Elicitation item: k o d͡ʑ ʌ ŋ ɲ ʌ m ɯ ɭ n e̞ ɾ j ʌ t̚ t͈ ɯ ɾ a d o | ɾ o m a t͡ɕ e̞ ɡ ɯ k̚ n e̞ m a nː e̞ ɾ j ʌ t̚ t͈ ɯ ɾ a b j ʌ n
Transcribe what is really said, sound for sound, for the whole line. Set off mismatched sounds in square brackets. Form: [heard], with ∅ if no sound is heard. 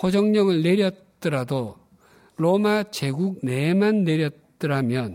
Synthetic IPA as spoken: k o d͡ʑ ʌ ŋ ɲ ʌ [ŋ] ɯ ɭ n e̞ ɾ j ʌ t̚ t͈ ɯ ɾ a d o | ɾ o m a t͡ɕ e̞ ɡ [u] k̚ n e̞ m a nː e̞ ɾ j ʌ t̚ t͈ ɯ ɾ a [m] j ʌ n